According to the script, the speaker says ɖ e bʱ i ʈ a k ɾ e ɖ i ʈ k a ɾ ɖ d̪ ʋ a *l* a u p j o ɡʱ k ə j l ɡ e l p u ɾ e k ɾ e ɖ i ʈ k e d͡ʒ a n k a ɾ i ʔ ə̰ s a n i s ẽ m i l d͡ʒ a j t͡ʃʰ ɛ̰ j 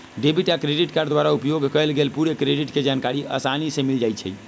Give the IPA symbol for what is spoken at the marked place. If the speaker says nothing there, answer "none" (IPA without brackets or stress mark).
ɾ